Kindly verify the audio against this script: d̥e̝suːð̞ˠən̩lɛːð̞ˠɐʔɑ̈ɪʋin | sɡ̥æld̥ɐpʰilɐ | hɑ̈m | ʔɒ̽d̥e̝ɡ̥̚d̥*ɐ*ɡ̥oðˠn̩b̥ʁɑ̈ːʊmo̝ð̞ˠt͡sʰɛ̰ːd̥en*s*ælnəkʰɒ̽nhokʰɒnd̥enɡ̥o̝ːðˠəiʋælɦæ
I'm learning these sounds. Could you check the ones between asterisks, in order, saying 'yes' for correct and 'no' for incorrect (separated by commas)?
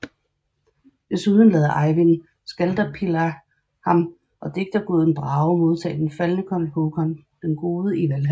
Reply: yes, no